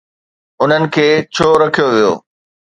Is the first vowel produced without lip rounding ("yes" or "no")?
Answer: no